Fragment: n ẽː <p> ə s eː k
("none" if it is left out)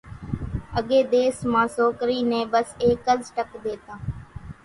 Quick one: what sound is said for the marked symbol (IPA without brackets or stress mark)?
b